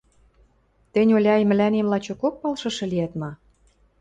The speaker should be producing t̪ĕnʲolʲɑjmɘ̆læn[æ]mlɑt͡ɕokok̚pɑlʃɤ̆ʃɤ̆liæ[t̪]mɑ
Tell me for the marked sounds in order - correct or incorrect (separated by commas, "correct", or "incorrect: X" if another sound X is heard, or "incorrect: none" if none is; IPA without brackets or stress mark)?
incorrect: e, correct